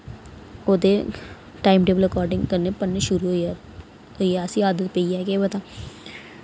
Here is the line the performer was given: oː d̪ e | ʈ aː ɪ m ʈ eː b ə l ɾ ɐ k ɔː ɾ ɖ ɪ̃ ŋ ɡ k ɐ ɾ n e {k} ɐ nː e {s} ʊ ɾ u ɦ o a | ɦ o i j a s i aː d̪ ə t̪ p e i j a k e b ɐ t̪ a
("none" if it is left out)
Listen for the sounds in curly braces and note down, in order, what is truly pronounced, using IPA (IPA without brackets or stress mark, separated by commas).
p, ʃ